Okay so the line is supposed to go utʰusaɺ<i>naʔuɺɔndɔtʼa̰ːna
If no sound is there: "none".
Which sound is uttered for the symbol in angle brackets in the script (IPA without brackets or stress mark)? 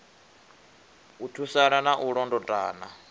a